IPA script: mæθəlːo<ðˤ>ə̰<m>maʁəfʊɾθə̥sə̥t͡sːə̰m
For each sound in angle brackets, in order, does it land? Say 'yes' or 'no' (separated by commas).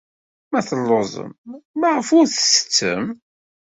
no, yes